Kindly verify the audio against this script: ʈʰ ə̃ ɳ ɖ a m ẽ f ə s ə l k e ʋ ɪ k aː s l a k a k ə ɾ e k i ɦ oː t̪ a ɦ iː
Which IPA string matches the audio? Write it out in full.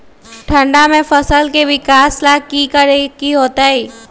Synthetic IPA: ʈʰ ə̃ ɳ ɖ a m ẽ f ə s ə l k e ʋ ɪ k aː s l a k i k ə ɾ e k i ɦ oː t̪ a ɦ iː